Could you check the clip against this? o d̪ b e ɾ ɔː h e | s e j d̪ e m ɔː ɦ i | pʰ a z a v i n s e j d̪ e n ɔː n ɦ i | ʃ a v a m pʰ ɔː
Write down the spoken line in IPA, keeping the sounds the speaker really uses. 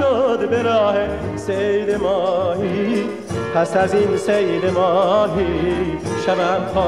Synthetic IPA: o d̪ b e ɾ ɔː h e | s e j d̪ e m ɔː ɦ i | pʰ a s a z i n s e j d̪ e m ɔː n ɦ i | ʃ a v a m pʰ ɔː